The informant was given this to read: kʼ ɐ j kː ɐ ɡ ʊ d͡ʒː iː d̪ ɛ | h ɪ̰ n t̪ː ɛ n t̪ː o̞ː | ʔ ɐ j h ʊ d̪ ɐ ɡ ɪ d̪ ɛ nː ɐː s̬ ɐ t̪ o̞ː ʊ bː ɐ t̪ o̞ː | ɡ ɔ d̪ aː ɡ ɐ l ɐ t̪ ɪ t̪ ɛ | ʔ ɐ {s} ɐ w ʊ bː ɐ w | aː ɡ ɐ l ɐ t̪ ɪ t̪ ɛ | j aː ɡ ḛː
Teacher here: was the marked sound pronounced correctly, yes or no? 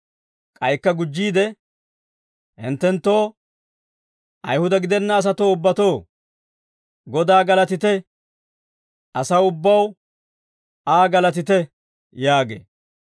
yes